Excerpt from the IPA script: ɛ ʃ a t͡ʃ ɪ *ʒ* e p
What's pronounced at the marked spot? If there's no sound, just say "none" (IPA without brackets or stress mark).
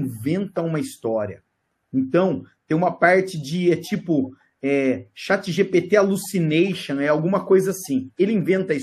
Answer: ʒ